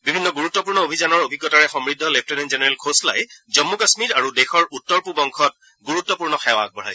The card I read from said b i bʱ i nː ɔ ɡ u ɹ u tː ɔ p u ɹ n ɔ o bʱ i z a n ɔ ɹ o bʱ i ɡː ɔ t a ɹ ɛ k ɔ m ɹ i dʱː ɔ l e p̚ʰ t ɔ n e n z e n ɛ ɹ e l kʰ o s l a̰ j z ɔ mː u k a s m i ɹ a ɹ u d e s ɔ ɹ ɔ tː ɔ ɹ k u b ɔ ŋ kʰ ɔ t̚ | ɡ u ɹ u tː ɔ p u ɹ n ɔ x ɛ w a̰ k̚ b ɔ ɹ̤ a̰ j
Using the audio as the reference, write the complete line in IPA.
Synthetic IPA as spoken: b i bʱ i nː ɔ ɡ u ɹ u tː ɔ p u ɹ n ɔ o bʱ i z a n ɔ ɹ o bʱ i ɡː ɔ t a ɹ ɛ x ɔ m ɹ i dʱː ɔ l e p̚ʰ t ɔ n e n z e n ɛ ɹ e l kʰ o s l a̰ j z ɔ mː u k a s m i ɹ a ɹ u d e x ɔ ɹ u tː ɔ ɹ p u b ɔ ŋ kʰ ɔ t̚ | ɡ u ɹ u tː ɔ p u ɹ n ɔ x ɛ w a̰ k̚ b ɔ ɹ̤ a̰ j